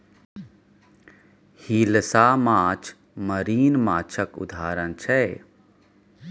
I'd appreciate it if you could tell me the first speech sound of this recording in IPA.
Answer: h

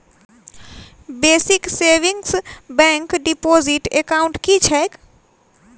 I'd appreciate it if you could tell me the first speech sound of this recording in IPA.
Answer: b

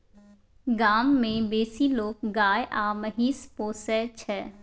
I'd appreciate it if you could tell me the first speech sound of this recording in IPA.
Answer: ɡ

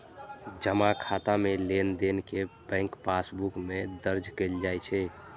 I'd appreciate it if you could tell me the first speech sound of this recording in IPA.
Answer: d͡ʒ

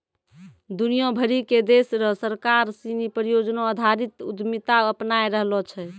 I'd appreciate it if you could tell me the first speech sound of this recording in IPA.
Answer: d̪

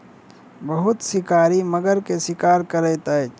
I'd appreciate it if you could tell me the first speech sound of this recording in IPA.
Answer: b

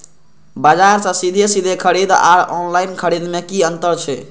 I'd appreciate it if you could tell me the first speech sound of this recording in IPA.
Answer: b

